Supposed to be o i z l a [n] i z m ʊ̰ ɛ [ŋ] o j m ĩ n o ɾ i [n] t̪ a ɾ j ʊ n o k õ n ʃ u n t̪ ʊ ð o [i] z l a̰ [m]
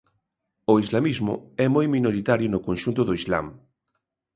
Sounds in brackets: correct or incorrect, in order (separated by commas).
incorrect, incorrect, incorrect, correct, correct